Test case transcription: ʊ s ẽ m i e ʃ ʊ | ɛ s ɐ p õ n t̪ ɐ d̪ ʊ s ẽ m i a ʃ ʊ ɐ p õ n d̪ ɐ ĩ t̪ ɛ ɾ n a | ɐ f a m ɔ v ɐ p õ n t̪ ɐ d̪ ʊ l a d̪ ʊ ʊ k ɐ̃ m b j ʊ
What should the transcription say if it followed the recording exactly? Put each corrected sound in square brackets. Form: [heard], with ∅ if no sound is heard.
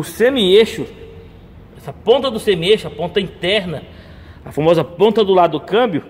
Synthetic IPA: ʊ s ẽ m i e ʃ ʊ | ɛ s ɐ p õ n t̪ ɐ d̪ ʊ s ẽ m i [e] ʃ ʊ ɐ p õ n [t̪] ɐ ĩ t̪ ɛ ɾ n [ɐ] | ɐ f a m ɔ [z] ɐ p õ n t̪ ɐ d̪ ʊ l a d̪ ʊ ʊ k ɐ̃ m b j ʊ